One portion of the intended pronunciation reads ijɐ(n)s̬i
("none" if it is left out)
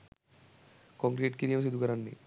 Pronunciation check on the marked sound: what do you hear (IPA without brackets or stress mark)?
m